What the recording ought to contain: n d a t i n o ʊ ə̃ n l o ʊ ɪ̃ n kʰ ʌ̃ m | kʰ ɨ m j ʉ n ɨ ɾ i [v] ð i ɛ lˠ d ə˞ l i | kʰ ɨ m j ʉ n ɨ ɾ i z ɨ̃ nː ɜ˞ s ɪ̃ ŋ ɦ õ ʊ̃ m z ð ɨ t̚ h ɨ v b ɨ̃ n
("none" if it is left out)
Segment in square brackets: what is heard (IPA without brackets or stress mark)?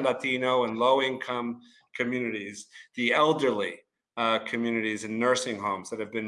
z